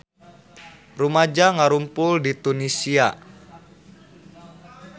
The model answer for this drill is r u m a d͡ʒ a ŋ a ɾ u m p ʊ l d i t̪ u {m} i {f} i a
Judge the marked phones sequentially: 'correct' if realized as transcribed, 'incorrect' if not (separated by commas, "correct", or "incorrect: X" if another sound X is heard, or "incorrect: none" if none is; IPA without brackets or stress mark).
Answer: incorrect: n, incorrect: s